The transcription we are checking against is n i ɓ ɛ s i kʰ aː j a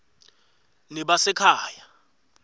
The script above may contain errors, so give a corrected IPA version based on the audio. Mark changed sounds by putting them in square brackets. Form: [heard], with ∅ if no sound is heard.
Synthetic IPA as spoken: n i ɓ [a] s [ɛ] kʰ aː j a